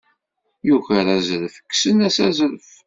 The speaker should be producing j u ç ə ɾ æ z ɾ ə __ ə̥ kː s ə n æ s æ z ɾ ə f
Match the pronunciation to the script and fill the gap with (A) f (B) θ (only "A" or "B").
A